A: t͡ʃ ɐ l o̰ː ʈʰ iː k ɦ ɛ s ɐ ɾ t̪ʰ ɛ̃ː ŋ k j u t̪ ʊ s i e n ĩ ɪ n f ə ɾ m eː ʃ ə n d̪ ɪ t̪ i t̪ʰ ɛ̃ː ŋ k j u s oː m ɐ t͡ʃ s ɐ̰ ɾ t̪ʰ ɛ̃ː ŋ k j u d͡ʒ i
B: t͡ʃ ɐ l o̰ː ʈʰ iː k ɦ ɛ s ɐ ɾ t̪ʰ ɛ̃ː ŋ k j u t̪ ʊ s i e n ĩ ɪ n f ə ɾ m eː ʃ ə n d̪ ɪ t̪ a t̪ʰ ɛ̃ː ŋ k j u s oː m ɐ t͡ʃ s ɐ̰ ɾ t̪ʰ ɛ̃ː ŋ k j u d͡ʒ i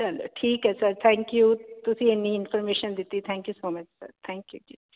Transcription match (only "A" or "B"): A